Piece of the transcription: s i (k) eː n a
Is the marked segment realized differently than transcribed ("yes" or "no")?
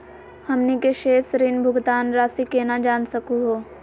no